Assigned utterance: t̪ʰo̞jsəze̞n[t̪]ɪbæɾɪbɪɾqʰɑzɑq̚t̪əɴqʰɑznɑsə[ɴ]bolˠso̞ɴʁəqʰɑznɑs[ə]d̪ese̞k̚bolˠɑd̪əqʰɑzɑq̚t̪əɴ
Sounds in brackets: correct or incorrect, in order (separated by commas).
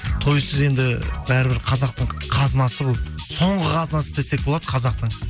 incorrect, incorrect, correct